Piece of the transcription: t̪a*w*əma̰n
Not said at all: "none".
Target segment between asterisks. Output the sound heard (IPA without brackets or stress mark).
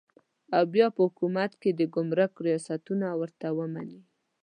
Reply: w